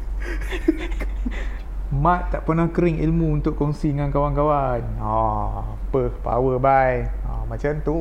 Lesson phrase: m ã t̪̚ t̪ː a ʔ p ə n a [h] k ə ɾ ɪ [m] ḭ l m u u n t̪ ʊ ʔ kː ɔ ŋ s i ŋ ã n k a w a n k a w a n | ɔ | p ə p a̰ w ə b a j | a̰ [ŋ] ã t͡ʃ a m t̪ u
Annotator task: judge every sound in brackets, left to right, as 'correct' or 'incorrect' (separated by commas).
correct, incorrect, incorrect